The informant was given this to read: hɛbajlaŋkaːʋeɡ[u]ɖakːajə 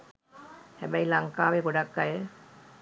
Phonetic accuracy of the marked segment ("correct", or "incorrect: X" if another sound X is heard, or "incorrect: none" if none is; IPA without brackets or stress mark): incorrect: o